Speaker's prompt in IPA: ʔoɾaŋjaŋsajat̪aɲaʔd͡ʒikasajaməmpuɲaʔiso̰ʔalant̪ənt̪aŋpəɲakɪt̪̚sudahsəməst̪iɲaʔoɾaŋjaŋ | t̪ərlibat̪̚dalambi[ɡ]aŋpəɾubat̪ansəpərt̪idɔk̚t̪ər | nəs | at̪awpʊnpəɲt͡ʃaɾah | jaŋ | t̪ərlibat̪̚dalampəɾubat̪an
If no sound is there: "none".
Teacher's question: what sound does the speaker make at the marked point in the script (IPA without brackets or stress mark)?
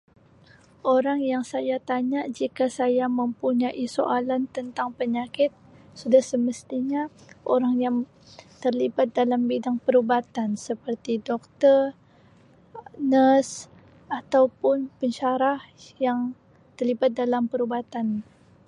d